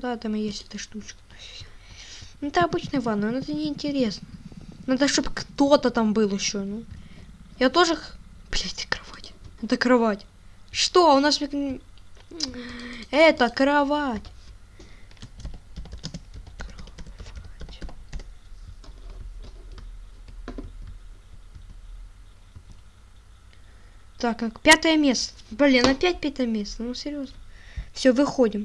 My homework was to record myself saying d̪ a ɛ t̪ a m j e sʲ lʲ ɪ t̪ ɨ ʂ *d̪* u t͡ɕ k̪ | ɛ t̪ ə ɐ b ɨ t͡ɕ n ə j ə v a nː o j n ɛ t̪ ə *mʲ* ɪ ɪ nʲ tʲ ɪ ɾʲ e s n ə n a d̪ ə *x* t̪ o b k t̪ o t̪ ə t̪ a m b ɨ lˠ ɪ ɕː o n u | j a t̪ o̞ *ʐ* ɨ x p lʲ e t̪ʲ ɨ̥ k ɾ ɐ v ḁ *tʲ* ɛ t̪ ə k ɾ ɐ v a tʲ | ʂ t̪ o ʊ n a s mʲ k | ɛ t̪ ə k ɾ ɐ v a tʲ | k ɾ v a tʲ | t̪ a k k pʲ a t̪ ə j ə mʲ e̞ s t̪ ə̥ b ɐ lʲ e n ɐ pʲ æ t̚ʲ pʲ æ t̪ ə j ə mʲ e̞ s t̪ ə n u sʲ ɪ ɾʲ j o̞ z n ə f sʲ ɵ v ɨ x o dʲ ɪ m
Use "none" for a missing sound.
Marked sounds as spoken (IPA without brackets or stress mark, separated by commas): t̪, nʲ, ʂ, ʐ, tʲ